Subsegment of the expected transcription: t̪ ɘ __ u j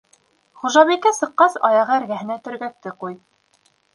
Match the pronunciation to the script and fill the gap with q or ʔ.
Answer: q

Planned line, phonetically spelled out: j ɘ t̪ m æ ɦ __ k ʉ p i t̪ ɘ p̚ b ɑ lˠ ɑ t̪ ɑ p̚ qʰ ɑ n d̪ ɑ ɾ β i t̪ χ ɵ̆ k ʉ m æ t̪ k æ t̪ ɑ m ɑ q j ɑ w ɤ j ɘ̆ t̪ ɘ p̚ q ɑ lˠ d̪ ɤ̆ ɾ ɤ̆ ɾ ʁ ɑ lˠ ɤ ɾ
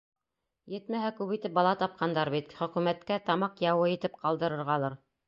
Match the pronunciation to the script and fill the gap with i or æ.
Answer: æ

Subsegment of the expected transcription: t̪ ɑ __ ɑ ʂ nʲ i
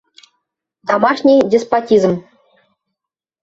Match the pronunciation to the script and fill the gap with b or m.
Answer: m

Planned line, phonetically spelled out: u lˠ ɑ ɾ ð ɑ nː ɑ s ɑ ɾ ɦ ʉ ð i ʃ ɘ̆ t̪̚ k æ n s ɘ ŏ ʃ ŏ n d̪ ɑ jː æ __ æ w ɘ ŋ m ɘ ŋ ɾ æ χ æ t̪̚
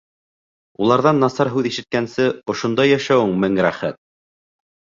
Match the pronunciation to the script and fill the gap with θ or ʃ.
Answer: ʃ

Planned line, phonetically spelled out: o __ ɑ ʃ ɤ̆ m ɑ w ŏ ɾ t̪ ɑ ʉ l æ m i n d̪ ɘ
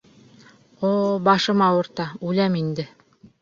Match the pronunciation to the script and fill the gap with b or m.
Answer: b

